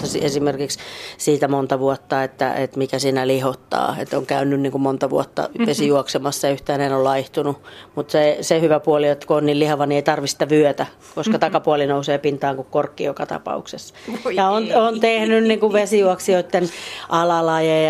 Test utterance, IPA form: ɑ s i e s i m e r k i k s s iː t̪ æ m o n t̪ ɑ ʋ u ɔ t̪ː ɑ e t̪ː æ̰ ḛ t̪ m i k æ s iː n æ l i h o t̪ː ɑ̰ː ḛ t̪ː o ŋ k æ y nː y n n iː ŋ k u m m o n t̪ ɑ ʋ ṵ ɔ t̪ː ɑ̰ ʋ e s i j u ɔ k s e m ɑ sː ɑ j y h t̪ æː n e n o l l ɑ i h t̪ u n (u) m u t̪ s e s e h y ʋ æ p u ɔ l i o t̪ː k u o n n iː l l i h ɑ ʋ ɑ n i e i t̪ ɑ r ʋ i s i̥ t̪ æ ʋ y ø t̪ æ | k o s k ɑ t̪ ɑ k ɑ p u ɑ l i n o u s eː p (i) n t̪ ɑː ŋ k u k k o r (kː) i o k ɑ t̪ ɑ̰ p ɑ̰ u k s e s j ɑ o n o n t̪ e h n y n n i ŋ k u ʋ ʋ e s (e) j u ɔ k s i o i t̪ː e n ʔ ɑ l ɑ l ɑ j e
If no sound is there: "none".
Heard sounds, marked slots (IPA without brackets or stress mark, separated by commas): u, i, kː, i